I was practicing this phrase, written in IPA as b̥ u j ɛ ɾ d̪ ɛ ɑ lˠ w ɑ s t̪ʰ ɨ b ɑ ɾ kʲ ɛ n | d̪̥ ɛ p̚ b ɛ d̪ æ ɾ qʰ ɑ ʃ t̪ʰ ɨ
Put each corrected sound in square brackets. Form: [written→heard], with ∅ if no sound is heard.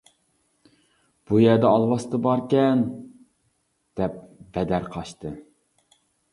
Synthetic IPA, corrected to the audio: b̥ u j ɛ ɾ d̪ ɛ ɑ lˠ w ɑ s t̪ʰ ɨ b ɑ ɾ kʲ ɛ n | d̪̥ ɛ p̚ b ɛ d̪ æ ɾ qʰ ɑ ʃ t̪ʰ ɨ